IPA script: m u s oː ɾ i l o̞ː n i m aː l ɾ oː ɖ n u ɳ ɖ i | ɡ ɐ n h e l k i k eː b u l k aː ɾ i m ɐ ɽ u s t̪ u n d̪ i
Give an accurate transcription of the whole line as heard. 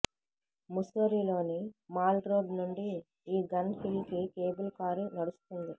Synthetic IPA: m u s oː ɾ i l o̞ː n i m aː l ɾ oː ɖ n u ɳ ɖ iː | ɡ ɐ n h i l k i k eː b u l k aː ɾ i n ɐ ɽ u s t̪ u n d̪ i